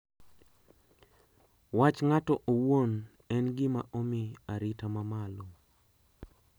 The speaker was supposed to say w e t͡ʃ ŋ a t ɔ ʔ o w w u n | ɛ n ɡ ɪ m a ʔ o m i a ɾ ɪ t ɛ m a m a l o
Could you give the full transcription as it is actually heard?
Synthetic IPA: w a t͡ʃ ŋ a t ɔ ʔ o w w o n | ɛ n ɡ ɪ m a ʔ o m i a ɾ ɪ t a m a m a l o